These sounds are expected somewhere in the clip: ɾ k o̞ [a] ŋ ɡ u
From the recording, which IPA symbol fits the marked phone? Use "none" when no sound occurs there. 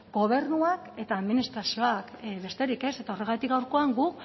a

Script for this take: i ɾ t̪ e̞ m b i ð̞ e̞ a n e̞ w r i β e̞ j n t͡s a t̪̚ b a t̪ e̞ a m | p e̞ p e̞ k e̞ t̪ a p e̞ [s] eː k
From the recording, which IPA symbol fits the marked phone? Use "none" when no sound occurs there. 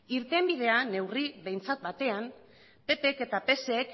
s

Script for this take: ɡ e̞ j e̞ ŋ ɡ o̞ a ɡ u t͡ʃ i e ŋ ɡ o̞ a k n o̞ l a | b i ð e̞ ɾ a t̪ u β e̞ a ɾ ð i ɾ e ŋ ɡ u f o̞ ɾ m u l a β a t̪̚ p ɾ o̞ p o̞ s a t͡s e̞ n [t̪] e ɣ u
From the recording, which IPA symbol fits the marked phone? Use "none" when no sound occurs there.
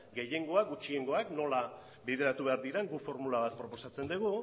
d̪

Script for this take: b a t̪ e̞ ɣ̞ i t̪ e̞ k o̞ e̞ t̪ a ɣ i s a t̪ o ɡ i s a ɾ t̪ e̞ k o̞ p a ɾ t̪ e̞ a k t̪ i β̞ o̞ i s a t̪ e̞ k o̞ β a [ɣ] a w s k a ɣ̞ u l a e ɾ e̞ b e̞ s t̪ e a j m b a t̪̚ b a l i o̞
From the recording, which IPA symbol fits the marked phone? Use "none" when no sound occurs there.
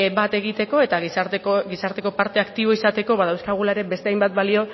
ð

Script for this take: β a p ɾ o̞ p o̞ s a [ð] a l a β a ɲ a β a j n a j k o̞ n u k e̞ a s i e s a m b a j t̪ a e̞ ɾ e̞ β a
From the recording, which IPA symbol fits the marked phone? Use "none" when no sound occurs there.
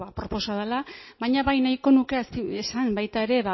ð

